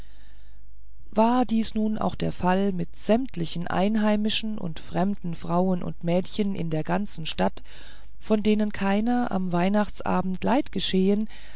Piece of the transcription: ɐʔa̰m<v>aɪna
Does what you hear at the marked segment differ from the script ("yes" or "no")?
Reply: no